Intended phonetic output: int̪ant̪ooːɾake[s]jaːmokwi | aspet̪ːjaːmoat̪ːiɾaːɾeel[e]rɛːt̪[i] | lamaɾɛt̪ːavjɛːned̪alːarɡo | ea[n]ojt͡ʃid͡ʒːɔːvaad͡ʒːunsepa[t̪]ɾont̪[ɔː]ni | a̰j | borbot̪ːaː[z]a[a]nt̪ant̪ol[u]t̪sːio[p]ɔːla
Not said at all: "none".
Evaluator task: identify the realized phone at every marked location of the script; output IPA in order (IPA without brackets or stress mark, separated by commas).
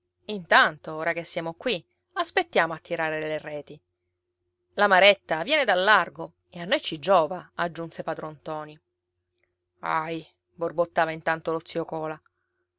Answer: sː, e, i, nː, d̪, ɔː, v, i, o, k